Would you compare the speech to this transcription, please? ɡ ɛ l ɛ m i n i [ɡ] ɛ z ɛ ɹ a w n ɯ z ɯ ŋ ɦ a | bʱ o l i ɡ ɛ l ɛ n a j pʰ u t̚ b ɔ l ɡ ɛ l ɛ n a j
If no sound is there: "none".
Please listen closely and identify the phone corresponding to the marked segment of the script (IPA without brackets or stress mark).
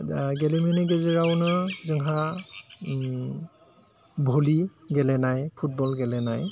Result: ɡ